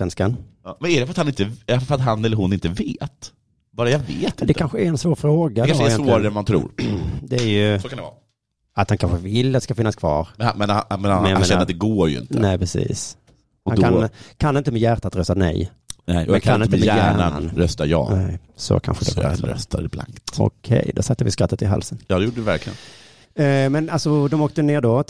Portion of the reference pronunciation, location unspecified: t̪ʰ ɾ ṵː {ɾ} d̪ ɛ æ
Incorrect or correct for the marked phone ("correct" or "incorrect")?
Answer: correct